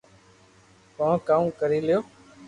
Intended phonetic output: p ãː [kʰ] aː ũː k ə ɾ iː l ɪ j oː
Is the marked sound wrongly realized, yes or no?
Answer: yes